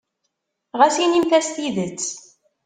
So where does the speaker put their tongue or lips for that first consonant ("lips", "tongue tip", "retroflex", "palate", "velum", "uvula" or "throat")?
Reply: uvula